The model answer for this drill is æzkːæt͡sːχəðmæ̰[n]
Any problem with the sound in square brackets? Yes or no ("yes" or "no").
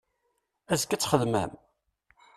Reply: yes